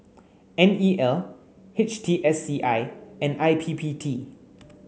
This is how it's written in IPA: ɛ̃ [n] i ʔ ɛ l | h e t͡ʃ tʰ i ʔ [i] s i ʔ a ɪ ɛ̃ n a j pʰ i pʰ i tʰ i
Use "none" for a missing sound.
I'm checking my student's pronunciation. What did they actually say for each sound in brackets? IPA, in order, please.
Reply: n, ɛ

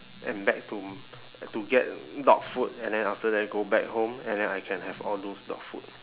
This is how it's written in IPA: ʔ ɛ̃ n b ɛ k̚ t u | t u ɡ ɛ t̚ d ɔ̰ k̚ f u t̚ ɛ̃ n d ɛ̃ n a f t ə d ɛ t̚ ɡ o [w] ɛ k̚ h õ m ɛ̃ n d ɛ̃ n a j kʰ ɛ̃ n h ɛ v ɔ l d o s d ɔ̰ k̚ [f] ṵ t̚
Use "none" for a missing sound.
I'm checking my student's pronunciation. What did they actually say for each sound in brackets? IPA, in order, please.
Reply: b, f

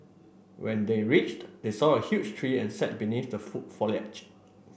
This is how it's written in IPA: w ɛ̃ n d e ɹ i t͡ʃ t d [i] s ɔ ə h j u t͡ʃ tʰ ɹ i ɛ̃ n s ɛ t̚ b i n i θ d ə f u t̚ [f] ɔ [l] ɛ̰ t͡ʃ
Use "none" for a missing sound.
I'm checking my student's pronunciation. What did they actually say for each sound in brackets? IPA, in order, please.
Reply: e, f, l

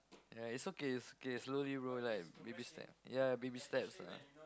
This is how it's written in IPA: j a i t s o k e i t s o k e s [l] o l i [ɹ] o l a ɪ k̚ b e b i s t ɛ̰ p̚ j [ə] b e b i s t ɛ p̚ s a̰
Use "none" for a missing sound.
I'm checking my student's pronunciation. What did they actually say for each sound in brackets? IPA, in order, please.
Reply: l, ɹ, a

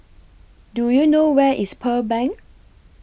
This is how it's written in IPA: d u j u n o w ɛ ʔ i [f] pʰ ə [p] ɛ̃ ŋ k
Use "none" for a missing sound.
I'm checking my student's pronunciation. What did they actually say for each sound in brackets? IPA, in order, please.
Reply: s, b

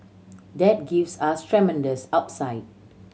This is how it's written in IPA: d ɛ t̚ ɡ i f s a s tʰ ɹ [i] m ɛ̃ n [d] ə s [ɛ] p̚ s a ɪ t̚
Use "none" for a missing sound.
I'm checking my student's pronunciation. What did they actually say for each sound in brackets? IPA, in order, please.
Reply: ɛ, d, a

